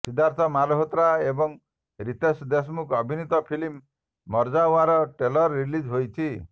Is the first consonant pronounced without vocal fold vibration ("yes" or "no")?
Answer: yes